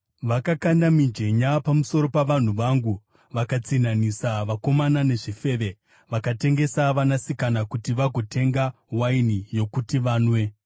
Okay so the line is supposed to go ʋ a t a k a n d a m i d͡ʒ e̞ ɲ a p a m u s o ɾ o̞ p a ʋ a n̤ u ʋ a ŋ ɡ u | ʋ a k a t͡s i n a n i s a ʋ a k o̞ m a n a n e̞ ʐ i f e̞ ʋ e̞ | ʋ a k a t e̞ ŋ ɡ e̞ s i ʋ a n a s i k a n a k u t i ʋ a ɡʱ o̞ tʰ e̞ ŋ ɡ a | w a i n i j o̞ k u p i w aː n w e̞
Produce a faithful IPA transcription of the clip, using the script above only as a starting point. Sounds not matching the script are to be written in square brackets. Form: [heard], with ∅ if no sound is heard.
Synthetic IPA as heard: ʋ a [k] a k a n d a m i d͡ʒ e̞ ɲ a p a m u s o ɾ o̞ p a ʋ a n̤ u ʋ a ŋ ɡ u | ʋ a k a t͡s i n a n i s a ʋ a k o̞ m a n a n e̞ ʐ i f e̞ ʋ e̞ | ʋ a k a t e̞ ŋ ɡ e̞ s [a] ʋ a n a s i k a n a k u t i ʋ a ɡʱ o̞ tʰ e̞ ŋ ɡ a | w a i n i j o̞ k u [t] i [ʋ] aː n w e̞